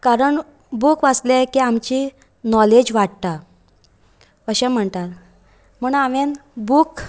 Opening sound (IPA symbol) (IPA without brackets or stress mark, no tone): k